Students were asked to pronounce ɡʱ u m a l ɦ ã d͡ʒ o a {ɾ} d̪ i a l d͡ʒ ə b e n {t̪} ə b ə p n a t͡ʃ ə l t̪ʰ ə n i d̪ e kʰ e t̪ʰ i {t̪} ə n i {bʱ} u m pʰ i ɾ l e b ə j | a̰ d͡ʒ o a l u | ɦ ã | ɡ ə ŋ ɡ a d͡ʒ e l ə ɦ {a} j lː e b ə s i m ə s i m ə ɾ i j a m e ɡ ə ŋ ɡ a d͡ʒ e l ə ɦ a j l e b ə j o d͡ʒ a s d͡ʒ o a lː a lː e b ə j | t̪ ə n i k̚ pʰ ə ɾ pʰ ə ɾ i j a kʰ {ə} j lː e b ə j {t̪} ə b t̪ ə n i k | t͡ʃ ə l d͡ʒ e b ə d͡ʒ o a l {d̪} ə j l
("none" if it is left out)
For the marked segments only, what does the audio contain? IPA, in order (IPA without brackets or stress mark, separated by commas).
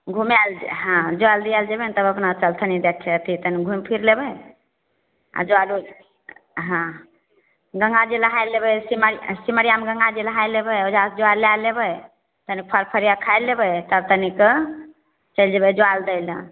l, t̪, t̪, ɡʱ, a, a, t̪, d̪